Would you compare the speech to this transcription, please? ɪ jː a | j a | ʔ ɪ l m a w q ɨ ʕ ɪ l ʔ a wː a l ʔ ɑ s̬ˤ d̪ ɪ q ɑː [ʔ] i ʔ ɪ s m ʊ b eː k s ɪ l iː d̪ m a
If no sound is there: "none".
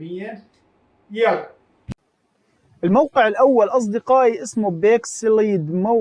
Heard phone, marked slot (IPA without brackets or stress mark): ʔ